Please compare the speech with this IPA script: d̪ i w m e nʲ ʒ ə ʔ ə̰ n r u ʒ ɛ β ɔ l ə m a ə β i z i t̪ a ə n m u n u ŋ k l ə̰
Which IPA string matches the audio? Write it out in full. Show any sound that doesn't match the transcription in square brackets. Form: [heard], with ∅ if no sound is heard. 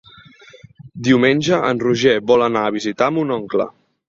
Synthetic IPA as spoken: d̪ i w m e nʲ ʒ ə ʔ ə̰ n r u ʒ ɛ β ɔ l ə [n] a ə β i z i t̪ a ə [∅] m u n [ɔ] ŋ k l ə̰